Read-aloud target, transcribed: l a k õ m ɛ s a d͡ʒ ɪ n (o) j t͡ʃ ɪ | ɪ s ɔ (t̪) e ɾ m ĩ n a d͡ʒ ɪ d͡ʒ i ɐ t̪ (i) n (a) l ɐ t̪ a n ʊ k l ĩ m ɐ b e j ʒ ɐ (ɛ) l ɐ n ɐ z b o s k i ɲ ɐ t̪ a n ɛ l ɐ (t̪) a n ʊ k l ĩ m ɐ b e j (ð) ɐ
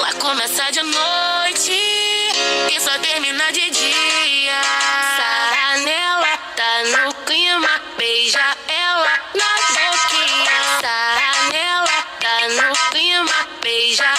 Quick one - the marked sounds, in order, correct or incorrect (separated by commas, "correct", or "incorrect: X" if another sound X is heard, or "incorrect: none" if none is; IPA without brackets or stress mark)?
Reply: correct, correct, incorrect: a, incorrect: ɛ, correct, correct, incorrect: ʒ